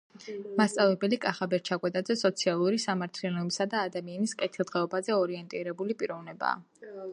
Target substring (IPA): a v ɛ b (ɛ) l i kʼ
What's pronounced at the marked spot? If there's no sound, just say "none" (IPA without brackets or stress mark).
ɛ